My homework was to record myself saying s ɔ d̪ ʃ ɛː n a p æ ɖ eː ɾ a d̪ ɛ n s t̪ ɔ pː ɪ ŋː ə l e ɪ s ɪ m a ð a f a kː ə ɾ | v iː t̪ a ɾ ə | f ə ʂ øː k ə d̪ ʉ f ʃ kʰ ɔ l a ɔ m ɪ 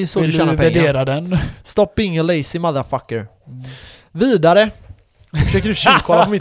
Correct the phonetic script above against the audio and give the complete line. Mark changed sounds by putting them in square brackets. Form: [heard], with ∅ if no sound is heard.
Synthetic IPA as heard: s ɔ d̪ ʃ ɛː n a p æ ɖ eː ɾ a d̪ ɛ n s t̪ ɔ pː ɪ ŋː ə l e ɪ s ɪ m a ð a f a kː ə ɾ | v iː [d̪] a ɾ ə | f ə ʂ øː k ə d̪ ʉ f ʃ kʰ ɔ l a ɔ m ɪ